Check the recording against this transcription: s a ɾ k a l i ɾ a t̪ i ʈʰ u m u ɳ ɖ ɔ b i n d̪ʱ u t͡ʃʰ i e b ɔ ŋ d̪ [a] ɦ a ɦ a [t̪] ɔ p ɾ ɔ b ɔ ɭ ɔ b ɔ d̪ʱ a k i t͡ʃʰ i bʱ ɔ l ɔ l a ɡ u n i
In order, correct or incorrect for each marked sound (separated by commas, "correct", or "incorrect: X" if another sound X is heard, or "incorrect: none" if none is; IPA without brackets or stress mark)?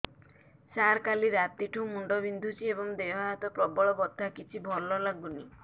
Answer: incorrect: e, correct